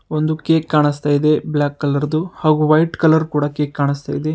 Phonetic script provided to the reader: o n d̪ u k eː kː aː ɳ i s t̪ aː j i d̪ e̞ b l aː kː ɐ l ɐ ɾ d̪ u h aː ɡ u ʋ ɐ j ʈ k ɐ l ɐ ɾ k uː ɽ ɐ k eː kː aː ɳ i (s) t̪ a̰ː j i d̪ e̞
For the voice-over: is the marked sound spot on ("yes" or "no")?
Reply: yes